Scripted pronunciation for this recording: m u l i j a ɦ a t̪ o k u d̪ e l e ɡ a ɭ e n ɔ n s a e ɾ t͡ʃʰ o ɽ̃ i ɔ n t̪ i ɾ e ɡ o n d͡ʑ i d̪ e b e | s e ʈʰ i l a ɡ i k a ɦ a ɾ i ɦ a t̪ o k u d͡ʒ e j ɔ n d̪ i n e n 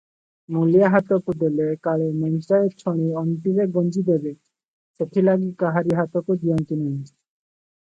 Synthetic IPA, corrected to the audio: m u l i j a ɦ a t̪ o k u d̪ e l e k a ɭ e m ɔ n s a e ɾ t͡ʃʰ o ɽ̃ i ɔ n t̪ i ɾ e ɡ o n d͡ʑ i d̪ e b e | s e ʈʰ i l a ɡ i k a ɦ a ɾ i ɦ a t̪ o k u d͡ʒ i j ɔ n t̪ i n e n